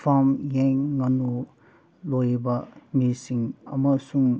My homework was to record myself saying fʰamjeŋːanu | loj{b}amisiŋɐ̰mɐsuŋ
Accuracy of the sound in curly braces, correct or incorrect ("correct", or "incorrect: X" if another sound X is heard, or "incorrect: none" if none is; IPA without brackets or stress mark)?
correct